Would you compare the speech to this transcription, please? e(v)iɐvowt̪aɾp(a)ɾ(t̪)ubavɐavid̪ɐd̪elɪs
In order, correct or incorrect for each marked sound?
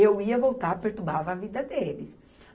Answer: incorrect, incorrect, correct

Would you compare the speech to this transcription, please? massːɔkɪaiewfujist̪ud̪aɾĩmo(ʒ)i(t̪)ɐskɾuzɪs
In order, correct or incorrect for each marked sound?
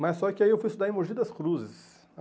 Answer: correct, incorrect

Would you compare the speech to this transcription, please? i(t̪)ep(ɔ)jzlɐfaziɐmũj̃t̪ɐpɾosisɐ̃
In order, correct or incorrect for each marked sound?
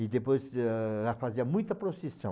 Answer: incorrect, incorrect

